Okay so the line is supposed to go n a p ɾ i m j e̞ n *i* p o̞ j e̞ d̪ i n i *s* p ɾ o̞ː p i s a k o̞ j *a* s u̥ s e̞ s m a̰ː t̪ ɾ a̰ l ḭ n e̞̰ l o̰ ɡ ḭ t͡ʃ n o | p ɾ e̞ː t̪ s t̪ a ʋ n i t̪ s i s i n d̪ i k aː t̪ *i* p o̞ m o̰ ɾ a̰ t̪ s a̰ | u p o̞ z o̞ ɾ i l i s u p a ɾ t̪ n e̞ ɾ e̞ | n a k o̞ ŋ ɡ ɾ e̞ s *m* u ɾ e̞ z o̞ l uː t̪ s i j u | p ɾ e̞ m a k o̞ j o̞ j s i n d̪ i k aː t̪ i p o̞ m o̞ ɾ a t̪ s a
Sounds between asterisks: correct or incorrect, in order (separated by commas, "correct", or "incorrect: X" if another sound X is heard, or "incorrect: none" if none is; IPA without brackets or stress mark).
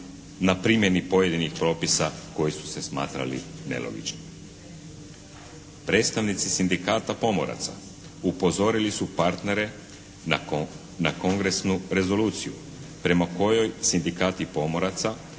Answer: correct, incorrect: x, incorrect: i, incorrect: a, incorrect: n